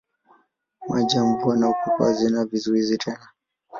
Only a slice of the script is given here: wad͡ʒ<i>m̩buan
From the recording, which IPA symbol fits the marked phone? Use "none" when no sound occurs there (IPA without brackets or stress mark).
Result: a